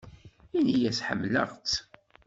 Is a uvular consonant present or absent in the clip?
present